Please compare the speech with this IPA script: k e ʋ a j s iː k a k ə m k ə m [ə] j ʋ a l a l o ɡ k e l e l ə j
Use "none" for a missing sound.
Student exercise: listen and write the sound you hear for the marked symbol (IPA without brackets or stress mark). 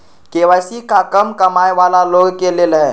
a